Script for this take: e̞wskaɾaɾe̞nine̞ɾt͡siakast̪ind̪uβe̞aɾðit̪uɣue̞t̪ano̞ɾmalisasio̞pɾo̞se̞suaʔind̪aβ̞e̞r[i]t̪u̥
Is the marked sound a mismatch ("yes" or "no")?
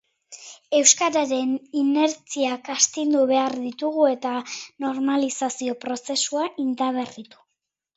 no